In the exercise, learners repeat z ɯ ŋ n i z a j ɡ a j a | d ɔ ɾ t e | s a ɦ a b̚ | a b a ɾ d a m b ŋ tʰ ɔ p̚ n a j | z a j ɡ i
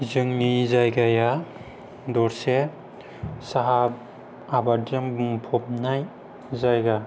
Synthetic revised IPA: z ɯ ŋ n i z a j ɡ a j a | d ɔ ɾ s e | s a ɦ a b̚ | a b a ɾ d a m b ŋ pʰ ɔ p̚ n a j | z a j ɡ a